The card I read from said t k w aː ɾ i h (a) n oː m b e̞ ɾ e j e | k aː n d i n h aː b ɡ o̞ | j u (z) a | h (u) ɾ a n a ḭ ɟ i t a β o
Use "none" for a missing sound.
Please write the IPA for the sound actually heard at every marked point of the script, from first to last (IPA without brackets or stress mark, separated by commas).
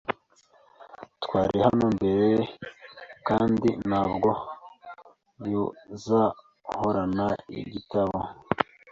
a, z, o